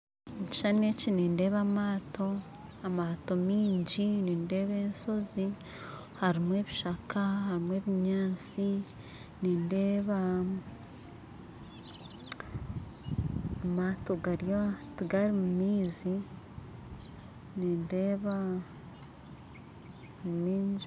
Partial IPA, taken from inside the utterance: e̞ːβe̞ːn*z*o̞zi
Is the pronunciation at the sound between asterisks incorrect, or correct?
incorrect